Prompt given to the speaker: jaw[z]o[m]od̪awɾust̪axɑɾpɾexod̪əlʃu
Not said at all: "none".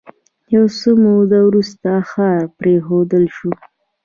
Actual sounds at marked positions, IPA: s, m

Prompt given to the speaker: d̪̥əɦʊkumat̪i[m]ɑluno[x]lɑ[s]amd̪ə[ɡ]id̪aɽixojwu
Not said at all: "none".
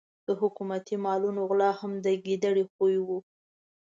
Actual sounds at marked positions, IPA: m, ɣ, h, ɡ

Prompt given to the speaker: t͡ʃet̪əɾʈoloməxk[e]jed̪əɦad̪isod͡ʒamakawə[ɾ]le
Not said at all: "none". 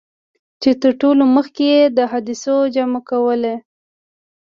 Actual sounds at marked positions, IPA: e, none

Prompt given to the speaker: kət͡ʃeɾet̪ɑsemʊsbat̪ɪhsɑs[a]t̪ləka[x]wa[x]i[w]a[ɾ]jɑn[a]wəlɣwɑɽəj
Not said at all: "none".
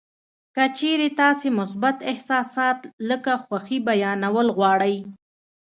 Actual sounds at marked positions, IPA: ɑ, x, x, b, none, a

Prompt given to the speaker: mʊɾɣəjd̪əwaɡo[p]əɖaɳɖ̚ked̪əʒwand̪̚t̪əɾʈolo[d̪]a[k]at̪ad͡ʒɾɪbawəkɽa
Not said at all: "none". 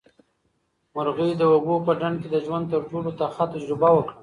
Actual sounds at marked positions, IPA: p, t̪, x

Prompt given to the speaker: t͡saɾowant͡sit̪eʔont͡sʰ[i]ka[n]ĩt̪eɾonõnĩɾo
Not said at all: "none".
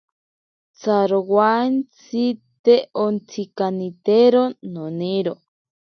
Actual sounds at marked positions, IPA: i, n

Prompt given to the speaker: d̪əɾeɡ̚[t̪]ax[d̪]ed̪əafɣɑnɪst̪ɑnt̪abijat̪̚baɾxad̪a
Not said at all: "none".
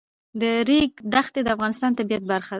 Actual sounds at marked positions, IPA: d̪, t̪

